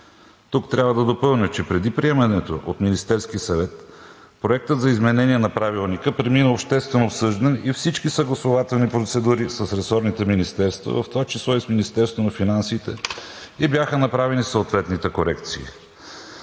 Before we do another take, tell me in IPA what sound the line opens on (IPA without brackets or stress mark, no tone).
t̪